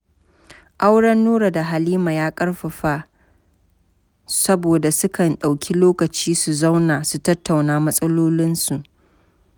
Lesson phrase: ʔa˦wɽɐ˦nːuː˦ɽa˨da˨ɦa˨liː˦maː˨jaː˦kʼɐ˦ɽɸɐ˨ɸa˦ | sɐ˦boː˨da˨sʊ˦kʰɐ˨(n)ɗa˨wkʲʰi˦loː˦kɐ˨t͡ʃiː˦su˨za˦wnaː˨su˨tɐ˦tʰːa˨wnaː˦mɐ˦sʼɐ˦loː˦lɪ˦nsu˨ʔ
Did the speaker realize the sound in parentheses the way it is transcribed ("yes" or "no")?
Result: yes